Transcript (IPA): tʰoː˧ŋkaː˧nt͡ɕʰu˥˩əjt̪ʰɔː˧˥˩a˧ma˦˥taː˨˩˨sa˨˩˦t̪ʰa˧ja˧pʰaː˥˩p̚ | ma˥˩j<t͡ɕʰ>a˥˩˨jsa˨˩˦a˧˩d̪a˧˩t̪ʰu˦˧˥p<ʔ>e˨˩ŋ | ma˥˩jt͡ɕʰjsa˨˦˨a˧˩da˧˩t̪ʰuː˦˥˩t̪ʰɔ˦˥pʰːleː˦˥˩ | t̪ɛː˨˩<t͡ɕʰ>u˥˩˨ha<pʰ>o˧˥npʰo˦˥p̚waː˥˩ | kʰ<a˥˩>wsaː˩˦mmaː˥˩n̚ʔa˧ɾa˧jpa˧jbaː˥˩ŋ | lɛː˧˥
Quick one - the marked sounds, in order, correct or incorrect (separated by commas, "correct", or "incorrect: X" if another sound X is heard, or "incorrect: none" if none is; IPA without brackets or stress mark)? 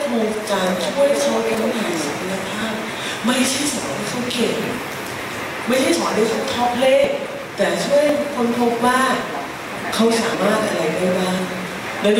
correct, incorrect: k, correct, incorrect: kʰ, incorrect: a˦˥